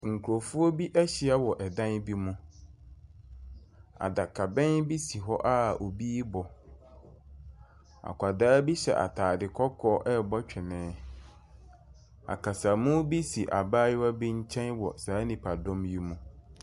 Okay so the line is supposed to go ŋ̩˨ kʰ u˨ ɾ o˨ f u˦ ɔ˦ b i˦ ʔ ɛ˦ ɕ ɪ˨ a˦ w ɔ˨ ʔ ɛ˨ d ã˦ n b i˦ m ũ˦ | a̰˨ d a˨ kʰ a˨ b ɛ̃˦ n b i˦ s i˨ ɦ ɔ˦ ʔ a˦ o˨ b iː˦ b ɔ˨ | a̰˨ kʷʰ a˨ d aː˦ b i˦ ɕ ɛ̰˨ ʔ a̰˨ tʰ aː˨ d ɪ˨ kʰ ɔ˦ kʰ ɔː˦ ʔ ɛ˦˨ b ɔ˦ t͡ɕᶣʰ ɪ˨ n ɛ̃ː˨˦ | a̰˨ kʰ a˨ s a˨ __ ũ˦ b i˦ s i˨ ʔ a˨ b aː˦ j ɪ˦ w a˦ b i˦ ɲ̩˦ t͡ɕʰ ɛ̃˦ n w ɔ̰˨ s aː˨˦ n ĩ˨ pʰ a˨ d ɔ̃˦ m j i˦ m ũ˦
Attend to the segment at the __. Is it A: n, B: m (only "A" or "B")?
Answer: B